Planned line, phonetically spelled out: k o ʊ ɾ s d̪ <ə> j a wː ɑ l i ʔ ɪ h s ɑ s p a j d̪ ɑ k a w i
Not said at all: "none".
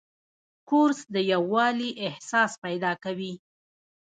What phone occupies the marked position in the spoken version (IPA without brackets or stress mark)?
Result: ə